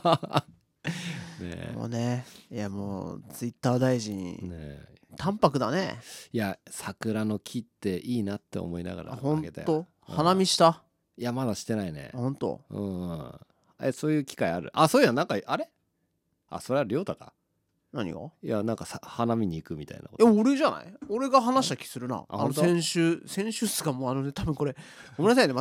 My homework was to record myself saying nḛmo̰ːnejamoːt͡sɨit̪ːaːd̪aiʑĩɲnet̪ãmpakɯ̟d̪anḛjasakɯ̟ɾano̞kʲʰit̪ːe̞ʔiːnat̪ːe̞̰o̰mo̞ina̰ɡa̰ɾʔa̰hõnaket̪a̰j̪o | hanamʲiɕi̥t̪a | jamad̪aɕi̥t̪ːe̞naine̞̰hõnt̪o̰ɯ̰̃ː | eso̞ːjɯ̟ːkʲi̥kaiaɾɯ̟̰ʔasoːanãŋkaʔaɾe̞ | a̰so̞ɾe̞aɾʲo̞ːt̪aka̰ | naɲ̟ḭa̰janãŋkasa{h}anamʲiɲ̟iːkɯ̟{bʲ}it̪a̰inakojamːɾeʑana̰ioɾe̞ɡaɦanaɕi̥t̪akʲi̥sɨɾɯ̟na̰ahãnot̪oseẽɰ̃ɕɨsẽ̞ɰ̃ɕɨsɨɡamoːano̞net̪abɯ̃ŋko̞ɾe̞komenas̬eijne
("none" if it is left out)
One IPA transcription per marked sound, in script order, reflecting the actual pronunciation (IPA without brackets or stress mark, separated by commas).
h, mʲ